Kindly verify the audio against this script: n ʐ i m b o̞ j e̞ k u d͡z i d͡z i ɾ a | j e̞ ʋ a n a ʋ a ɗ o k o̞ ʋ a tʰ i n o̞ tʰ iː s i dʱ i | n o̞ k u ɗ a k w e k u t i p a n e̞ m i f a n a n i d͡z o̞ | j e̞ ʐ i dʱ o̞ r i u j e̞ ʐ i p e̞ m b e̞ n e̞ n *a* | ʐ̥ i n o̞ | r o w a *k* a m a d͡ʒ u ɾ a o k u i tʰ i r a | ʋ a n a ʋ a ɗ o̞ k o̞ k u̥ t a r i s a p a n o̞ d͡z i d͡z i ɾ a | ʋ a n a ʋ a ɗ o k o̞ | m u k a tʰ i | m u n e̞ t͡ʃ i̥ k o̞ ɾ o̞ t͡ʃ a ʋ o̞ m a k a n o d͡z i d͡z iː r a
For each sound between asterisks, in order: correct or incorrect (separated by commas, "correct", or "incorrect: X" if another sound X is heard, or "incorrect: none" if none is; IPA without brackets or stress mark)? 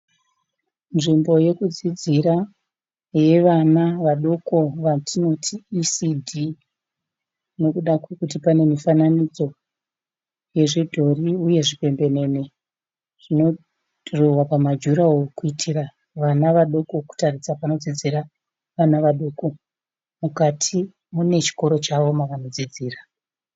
incorrect: e, incorrect: p